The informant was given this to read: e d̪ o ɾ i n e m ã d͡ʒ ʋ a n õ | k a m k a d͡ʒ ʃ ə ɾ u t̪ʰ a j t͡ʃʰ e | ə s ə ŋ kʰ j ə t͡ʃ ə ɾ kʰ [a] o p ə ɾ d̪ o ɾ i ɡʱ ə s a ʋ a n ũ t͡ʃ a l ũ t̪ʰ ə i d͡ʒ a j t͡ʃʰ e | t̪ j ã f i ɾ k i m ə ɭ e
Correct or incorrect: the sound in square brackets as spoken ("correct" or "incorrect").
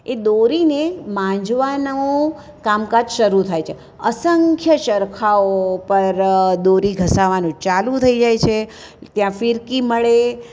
correct